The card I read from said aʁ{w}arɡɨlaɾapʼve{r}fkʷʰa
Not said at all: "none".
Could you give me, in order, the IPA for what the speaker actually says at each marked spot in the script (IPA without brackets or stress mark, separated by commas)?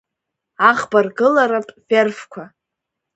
b, r